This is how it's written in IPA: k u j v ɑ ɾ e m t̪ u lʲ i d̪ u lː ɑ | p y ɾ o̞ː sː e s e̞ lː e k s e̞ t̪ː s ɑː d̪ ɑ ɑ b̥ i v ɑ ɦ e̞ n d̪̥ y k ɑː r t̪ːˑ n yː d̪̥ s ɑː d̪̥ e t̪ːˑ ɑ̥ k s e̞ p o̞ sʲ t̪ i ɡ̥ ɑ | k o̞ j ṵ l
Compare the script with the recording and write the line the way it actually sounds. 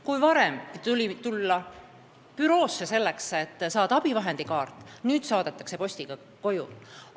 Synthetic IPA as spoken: k u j v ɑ ɾ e m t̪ u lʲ i t̪ u lː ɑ | p y ɾ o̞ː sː e s e̞ lː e k s e̞ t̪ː s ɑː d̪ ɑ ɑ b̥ i v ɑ ɦ e̞ n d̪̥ i k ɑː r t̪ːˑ n yː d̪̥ s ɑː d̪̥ e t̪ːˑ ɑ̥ k s e̞ p o̞ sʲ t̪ i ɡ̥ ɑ | k o̞ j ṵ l